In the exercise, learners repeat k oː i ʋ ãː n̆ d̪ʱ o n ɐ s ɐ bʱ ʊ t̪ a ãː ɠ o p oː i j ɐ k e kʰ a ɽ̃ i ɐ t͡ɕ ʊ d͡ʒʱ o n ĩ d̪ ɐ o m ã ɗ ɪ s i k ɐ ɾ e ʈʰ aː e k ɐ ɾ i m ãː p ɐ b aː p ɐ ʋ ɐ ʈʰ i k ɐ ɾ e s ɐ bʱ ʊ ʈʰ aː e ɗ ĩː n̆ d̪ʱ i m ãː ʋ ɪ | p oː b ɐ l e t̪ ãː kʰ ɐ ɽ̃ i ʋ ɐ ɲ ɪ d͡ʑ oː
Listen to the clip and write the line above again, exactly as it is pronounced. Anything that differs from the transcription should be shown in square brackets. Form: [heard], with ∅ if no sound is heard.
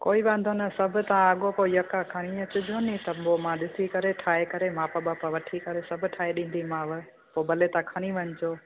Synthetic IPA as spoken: k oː i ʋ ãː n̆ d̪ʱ o n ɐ s ɐ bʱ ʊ t̪ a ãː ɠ o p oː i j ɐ k [a] kʰ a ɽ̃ i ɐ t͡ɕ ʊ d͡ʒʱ o n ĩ [t̪] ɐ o m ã ɗ ɪ s i k ɐ ɾ e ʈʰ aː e k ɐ ɾ [e] m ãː p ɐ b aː p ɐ ʋ ɐ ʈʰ i k ɐ ɾ e s ɐ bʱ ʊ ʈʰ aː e ɗ ĩː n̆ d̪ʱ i m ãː ʋ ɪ | p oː b ɐ l e t̪ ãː kʰ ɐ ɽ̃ i ʋ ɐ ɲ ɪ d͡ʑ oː